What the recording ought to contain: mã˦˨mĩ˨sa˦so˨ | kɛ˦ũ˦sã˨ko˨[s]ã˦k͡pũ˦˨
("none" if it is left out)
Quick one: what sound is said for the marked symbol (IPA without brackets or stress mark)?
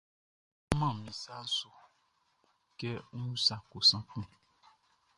s